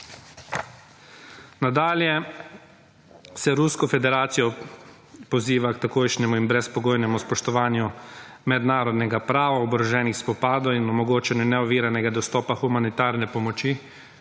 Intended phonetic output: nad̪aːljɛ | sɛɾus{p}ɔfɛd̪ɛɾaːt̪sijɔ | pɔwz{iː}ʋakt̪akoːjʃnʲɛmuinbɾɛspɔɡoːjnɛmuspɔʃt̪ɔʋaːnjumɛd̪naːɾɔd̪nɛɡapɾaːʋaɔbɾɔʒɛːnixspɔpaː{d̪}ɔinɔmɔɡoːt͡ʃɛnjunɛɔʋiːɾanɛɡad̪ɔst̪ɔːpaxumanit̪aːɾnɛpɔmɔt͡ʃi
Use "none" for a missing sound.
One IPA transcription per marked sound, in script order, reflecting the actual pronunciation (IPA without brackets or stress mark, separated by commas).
k, iː, d̪